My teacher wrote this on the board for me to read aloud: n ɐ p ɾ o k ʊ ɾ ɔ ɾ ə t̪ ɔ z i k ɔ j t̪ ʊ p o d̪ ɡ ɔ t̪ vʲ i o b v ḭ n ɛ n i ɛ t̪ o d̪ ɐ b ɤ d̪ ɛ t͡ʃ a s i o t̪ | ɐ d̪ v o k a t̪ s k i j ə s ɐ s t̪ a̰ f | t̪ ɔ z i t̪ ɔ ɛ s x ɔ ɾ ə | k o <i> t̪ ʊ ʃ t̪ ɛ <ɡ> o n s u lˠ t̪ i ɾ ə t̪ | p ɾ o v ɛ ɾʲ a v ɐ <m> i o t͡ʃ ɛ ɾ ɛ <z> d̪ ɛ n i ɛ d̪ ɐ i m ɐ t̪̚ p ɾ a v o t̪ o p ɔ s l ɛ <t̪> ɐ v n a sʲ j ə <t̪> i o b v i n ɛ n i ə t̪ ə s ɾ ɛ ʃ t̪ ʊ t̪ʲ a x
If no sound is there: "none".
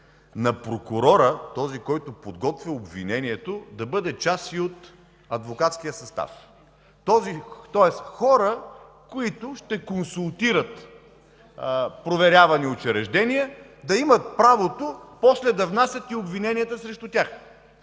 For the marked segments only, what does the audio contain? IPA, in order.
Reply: i, k, n, ʒ, d̪, t̪

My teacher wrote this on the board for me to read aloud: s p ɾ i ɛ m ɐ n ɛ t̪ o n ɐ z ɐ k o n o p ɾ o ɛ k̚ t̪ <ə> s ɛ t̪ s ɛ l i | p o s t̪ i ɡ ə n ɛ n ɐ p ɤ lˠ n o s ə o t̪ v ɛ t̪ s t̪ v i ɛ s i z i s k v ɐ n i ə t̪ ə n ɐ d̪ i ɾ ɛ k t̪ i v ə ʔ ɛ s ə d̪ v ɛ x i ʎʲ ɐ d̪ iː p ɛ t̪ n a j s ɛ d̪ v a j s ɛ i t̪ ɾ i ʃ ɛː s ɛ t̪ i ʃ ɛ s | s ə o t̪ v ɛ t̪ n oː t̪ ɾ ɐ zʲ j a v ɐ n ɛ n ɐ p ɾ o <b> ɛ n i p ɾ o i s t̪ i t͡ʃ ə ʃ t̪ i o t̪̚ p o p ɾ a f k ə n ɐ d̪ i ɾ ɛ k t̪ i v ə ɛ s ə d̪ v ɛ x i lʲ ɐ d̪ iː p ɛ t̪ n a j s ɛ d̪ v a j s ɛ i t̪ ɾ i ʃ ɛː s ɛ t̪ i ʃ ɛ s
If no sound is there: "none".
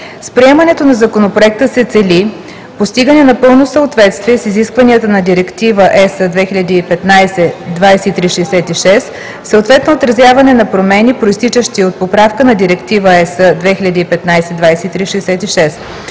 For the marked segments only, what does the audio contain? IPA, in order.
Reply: ə, m

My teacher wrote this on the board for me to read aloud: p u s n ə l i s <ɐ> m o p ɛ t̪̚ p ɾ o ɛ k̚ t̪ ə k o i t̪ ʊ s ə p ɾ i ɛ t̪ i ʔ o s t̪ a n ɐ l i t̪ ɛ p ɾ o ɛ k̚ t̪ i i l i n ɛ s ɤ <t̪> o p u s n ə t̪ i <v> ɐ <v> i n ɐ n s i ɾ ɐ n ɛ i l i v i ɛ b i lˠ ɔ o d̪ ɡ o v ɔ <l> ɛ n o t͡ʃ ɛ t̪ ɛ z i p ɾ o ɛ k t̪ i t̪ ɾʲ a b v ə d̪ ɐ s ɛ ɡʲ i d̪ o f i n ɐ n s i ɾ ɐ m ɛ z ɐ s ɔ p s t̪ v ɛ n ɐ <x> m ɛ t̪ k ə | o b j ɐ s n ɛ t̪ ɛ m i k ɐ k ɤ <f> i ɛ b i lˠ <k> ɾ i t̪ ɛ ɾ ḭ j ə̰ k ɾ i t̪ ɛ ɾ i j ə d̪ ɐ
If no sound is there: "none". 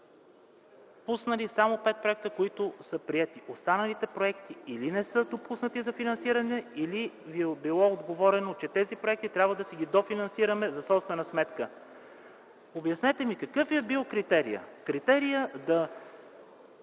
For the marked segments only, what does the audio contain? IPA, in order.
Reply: a, d̪, z, f, ɾ, s, f, k

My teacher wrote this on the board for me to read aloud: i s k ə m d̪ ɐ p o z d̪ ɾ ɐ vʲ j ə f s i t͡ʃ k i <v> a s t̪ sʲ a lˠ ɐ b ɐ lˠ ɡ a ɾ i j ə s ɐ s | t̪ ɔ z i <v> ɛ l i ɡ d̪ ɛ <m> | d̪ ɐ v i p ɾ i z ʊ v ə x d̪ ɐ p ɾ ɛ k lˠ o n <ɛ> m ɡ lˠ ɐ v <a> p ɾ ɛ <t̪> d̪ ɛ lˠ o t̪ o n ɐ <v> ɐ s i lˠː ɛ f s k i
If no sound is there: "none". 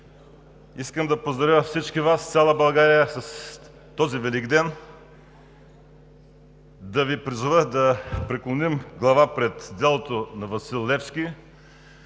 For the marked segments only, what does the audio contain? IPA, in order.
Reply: v, v, n, i, a, t̪, v

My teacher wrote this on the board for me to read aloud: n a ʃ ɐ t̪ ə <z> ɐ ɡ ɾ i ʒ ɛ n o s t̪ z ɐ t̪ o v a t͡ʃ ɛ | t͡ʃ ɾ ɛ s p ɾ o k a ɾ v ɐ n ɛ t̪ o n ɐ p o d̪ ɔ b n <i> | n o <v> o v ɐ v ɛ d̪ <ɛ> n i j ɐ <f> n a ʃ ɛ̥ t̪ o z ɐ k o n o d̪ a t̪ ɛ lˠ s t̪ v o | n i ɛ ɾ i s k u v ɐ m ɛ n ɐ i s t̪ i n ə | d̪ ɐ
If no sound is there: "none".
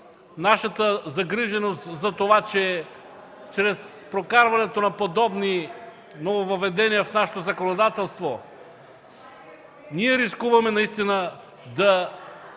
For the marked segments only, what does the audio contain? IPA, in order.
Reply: z, i, v, ɛ, f

